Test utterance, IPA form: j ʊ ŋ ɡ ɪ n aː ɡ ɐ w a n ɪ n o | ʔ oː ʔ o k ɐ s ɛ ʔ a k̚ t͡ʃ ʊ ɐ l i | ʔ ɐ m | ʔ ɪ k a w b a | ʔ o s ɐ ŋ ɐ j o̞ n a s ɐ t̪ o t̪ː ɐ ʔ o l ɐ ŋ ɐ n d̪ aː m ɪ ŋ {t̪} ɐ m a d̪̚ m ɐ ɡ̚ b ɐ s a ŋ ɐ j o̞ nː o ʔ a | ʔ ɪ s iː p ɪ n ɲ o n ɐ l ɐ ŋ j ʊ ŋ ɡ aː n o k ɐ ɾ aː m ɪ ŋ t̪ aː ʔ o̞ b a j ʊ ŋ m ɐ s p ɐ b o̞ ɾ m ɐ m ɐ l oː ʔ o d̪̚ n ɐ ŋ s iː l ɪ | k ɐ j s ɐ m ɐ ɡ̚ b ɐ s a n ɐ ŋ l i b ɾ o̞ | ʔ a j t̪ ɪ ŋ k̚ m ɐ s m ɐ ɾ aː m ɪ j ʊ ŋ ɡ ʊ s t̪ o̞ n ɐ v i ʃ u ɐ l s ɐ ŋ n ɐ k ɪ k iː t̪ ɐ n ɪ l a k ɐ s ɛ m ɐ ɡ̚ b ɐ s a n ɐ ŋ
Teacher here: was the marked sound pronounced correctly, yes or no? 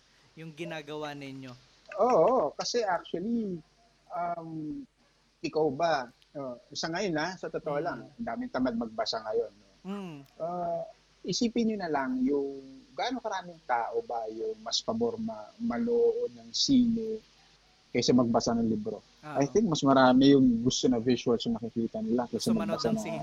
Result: yes